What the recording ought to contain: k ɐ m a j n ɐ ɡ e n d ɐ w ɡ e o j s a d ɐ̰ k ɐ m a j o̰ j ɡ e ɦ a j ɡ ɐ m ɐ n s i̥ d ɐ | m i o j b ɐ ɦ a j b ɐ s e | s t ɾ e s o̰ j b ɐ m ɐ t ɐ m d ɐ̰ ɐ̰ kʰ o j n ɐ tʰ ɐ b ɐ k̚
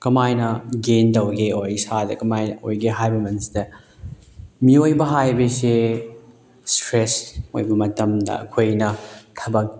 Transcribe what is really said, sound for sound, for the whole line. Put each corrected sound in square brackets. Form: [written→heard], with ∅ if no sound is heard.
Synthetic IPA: k ɐ m a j n ɐ ɡ e n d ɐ w ɡ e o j s a d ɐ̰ k ɐ m a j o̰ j ɡ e ɦ a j [ɡ→b] ɐ m ɐ n s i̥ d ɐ | m i o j b ɐ ɦ a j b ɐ s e | s t ɾ e s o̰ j b ɐ m ɐ t ɐ m d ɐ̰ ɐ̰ kʰ o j n ɐ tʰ ɐ b ɐ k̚